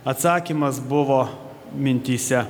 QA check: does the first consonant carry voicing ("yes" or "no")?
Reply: no